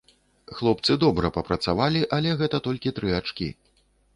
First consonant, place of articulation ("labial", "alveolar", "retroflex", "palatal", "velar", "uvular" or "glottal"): velar